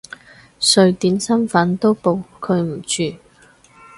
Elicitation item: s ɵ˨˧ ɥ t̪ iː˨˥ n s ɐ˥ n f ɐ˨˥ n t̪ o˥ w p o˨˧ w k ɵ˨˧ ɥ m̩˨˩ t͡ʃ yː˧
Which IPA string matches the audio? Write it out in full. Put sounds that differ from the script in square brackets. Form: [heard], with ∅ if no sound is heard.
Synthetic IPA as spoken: s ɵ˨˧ ɥ t̪ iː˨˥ n s ɐ˥ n f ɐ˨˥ n t̪ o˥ w p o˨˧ w [kʰ] ɵ˨˧ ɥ m̩˨˩ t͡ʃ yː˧